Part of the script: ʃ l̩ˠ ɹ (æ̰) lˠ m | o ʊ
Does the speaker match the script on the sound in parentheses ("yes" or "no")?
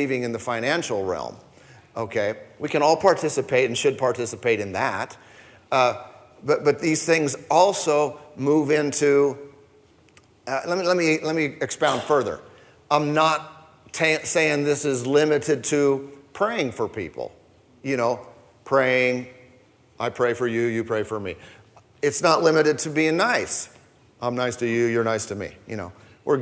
no